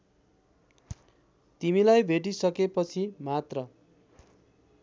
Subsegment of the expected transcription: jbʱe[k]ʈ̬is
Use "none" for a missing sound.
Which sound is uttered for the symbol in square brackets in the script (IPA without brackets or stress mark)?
none